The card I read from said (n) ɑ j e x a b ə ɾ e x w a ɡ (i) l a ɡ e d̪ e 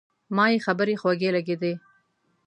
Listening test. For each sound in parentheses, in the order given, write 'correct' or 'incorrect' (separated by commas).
incorrect, incorrect